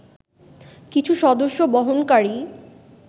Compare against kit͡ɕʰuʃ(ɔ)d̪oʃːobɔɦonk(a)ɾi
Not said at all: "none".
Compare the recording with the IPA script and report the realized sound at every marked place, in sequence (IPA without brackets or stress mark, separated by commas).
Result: ɔ, a